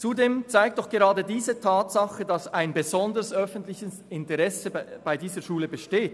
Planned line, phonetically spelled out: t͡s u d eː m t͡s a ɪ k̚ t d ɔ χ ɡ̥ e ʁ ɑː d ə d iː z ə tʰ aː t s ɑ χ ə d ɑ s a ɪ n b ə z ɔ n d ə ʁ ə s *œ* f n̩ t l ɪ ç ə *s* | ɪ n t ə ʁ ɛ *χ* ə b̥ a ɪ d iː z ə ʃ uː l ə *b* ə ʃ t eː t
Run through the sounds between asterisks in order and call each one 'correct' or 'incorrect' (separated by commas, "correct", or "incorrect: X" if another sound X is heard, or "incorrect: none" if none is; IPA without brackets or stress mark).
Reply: correct, correct, incorrect: s, correct